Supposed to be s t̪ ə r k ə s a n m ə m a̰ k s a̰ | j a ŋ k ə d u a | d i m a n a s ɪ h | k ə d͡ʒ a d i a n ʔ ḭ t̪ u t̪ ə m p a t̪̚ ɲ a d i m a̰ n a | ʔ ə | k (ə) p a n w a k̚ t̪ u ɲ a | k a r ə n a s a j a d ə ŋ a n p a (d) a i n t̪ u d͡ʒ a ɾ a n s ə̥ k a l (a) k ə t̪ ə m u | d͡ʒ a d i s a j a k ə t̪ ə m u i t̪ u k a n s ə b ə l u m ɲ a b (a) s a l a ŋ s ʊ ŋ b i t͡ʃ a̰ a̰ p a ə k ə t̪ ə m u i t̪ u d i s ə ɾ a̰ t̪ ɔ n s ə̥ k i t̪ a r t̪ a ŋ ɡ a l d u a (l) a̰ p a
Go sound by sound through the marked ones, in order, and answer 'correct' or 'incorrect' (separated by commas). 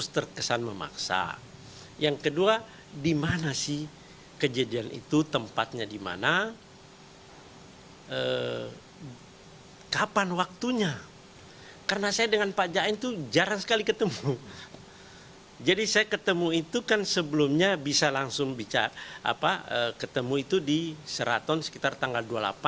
incorrect, incorrect, incorrect, incorrect, correct